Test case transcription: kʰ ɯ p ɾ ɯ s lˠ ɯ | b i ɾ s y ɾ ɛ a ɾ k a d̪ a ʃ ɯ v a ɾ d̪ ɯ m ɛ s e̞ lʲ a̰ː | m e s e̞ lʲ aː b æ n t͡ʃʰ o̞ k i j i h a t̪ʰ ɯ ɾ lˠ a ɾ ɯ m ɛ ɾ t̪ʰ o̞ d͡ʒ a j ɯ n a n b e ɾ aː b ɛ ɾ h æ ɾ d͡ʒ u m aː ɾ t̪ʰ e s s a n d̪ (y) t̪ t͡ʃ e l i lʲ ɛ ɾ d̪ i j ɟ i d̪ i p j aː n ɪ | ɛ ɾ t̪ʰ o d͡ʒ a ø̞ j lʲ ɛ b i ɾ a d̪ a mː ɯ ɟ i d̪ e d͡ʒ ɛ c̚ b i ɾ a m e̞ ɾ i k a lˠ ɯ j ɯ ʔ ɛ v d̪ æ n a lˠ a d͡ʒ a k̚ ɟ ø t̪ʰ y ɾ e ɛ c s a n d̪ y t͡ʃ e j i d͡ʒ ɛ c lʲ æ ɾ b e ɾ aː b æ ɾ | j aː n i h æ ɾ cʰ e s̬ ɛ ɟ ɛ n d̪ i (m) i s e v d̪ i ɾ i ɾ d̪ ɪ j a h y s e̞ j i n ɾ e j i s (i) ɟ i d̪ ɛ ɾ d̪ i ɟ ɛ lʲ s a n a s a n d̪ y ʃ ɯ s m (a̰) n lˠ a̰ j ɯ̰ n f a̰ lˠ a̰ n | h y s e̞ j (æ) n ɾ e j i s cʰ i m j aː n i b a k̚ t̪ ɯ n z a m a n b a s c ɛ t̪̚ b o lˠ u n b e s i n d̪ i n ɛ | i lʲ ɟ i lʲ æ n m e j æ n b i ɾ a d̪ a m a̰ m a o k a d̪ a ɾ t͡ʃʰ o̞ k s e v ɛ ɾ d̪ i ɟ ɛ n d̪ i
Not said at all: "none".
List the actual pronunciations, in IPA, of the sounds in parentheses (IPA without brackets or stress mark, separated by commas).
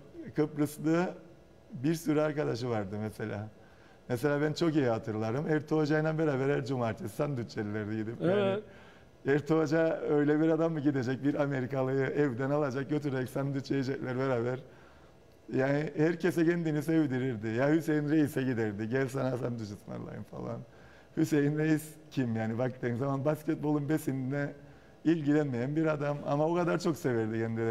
y, n, ɛ, a̰, i